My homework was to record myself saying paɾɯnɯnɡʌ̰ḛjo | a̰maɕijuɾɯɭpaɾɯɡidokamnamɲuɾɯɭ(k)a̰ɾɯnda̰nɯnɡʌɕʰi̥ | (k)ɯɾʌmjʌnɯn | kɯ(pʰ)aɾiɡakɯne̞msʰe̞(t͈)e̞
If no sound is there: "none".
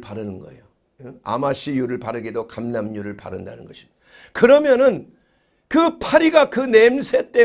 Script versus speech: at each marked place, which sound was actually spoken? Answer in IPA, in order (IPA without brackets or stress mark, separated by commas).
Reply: p, k, pʰ, t͈